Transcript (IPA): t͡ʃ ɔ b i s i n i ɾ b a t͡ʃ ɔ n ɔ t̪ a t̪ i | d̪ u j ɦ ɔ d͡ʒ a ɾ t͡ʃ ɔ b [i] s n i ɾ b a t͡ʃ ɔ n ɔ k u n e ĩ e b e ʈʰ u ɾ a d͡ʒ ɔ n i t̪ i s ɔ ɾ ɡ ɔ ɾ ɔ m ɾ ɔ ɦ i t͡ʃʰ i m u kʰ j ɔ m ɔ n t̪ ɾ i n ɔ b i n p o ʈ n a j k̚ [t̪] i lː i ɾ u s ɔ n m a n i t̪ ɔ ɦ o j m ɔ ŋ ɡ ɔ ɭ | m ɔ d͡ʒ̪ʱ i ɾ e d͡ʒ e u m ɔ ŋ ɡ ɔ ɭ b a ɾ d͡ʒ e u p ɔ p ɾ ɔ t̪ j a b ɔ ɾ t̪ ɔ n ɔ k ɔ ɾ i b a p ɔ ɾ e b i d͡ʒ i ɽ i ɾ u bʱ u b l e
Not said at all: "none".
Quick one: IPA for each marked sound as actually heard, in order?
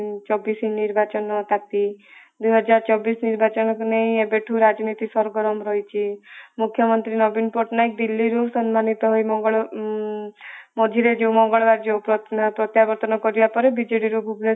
i, d̪

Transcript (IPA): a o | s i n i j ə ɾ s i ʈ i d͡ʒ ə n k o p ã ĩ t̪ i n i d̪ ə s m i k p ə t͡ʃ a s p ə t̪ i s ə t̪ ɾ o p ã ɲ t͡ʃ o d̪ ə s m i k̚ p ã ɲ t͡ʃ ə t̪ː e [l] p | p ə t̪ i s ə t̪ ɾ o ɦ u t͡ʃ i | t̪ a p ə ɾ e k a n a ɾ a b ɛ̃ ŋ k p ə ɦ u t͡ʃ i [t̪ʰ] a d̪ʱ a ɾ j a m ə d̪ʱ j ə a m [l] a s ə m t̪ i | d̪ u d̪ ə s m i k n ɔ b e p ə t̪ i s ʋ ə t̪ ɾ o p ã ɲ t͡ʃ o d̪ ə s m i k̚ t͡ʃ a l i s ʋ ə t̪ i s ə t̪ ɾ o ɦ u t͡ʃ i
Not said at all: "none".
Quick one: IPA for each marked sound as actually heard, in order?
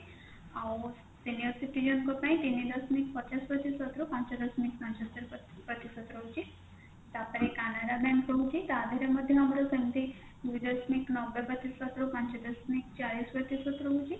ɾ, t̪, ɾ

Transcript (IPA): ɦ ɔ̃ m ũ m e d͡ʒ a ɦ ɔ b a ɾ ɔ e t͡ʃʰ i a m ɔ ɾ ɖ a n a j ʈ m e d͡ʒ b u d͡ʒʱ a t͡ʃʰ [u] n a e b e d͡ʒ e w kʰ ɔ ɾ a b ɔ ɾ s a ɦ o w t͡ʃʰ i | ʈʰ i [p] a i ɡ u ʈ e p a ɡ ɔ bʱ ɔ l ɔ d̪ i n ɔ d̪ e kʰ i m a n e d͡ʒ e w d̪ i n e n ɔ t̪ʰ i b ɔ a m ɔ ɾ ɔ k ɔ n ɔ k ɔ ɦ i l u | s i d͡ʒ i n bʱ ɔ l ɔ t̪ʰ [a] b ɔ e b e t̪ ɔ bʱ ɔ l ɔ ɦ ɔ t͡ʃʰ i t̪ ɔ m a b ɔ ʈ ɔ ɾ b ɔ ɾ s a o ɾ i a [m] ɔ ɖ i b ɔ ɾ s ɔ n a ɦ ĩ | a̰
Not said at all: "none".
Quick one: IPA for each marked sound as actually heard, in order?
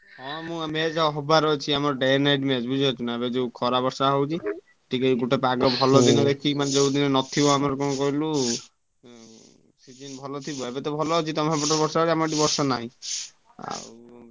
u, k, i, m

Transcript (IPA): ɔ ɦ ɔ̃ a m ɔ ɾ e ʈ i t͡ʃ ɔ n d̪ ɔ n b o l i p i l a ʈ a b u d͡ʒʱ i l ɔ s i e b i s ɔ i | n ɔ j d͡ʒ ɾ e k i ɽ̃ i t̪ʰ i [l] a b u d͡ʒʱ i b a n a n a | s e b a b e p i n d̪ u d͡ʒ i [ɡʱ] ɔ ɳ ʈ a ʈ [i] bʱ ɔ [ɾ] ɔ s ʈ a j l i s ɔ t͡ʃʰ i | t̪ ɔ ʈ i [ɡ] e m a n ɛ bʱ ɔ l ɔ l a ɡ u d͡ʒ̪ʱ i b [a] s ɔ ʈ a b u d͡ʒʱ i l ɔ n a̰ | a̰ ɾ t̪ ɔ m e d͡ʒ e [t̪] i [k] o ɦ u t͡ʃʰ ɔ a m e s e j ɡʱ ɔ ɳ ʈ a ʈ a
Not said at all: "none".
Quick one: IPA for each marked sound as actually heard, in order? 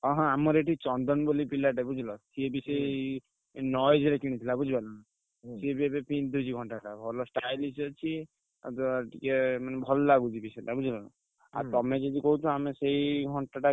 l, ɡʱ, a, l, k, i, d̪, k

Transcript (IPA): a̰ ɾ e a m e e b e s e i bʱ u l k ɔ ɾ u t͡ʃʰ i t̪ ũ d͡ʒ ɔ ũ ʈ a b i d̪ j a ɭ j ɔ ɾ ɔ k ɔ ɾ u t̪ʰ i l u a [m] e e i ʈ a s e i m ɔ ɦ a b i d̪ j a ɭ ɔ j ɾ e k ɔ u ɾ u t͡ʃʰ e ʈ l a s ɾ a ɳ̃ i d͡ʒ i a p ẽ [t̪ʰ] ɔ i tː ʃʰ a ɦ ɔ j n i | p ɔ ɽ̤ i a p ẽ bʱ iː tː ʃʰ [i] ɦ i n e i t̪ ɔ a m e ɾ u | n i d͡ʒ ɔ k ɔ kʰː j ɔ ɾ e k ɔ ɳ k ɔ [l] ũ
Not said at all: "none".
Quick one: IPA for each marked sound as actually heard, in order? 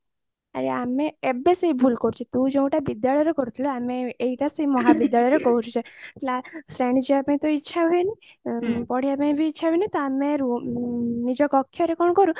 m, t̪, a, ɾ

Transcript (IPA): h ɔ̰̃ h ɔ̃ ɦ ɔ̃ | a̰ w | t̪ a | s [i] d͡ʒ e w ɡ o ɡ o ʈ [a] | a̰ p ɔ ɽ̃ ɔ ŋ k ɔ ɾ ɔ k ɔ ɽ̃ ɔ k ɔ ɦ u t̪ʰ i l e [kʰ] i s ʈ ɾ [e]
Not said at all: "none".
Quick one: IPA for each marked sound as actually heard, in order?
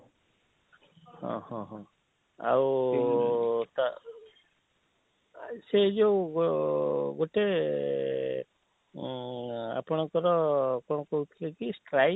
e, e, k, a

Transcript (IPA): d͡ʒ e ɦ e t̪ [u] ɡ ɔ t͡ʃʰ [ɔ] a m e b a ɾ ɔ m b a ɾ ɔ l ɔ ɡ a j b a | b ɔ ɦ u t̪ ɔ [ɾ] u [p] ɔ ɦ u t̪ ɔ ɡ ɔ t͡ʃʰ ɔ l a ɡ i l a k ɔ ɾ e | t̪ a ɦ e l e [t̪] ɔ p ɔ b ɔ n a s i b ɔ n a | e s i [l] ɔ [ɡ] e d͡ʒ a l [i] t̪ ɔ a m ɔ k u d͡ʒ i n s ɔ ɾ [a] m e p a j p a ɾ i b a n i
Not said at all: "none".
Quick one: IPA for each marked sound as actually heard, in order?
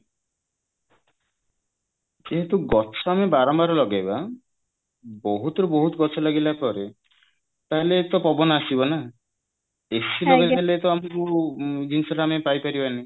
u, ɔ, ɾ, b, t̪, l, ɡ, e, a

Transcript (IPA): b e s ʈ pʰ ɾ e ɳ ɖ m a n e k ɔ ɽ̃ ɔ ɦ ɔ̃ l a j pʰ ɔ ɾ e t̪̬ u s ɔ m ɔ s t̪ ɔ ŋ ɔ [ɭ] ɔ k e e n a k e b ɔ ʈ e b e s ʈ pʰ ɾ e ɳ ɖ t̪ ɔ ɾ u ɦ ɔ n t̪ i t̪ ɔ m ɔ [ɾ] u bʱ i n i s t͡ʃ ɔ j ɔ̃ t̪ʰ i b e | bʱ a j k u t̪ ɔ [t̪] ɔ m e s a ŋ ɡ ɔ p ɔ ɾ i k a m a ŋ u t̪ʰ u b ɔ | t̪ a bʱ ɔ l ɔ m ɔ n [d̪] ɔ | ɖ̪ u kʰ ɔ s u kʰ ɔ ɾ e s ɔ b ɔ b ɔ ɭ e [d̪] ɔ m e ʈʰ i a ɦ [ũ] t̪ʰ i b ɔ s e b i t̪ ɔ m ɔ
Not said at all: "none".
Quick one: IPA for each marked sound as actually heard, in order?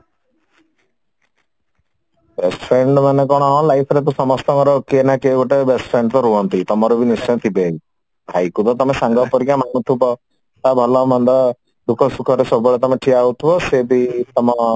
ɾ, ɾ, t̪, d̪, t̪, u

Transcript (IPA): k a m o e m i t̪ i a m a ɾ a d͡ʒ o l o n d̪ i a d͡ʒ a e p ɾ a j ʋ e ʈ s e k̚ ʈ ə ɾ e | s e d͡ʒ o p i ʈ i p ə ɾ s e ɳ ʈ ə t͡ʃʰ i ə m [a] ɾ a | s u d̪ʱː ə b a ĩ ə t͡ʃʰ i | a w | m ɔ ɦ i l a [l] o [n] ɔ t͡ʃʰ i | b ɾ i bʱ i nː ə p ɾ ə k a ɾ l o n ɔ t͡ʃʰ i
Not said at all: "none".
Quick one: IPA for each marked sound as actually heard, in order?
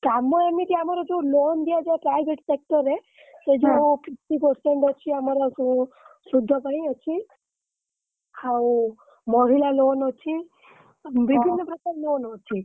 a, l, n

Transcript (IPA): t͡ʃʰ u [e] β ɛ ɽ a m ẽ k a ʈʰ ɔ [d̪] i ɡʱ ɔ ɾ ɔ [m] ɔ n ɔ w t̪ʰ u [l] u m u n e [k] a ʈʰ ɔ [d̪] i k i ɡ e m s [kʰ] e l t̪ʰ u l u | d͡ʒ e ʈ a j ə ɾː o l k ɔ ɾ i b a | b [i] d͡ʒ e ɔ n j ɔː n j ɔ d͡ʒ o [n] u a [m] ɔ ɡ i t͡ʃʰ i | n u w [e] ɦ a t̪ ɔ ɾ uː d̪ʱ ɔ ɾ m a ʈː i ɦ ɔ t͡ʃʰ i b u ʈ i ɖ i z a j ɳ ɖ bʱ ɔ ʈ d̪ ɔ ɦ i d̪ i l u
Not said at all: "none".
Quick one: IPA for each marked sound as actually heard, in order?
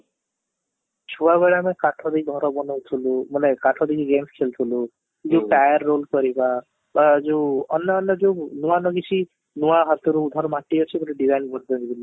a, d̪, b, l, k, d̪, kʰ, a, n, n, a

